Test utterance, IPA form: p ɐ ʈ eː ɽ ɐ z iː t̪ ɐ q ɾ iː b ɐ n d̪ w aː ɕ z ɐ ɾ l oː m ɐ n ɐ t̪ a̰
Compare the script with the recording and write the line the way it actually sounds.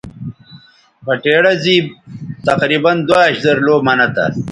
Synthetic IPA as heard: p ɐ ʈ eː ɽ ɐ z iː t̪ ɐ q ɾ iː b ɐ n d̪ w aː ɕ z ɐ ɾ l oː m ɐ n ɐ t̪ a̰